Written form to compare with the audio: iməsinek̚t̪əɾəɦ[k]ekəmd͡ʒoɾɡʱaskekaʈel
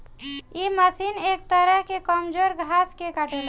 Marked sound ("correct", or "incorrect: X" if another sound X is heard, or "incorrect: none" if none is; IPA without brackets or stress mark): correct